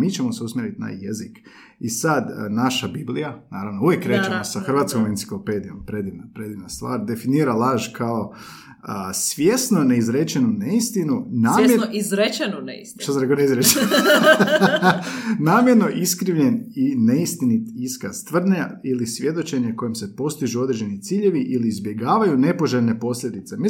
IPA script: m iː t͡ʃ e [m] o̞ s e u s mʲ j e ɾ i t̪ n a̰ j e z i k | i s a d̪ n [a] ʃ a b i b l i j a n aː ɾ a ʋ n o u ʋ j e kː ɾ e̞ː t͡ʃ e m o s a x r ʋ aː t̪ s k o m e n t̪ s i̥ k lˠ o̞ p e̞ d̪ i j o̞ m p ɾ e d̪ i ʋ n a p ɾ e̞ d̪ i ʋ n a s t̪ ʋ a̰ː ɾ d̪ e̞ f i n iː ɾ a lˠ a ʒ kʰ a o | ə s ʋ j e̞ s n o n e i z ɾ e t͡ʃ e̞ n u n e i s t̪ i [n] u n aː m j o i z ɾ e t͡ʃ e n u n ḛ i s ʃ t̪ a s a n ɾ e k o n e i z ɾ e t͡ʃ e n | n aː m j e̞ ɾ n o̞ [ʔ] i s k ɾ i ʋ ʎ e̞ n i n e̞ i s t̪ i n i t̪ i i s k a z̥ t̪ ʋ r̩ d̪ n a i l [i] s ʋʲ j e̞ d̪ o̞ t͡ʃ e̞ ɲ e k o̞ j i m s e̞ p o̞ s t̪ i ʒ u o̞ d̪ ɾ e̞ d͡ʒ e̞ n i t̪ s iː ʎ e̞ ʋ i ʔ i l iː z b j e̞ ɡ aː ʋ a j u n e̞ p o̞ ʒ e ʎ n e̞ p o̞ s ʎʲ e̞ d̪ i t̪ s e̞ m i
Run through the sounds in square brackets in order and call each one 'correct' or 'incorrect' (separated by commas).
correct, correct, correct, correct, correct